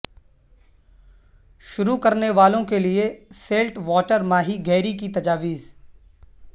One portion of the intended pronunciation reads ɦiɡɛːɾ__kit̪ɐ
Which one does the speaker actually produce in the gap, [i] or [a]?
i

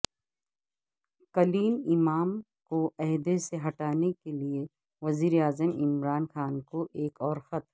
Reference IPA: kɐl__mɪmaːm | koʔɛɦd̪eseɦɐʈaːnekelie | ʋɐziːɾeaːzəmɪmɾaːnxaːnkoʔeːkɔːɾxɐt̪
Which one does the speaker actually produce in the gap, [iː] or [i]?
iː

